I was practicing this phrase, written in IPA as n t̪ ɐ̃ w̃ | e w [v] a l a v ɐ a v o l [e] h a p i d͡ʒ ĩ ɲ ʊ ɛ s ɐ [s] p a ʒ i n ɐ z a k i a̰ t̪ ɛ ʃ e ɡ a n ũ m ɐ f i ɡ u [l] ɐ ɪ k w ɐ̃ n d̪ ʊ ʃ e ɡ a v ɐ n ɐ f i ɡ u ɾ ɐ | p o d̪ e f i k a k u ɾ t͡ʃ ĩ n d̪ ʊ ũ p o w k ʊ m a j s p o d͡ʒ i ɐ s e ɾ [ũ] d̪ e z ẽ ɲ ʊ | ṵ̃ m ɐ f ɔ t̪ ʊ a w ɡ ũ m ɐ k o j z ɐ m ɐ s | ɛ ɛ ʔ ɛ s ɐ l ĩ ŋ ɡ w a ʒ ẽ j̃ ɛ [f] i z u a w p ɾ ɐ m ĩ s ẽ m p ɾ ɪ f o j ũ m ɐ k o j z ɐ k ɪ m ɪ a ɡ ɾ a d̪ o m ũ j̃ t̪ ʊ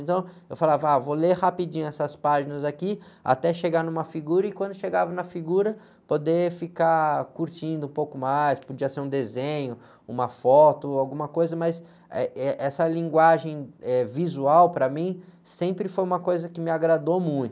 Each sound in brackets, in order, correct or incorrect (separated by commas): incorrect, correct, correct, incorrect, correct, incorrect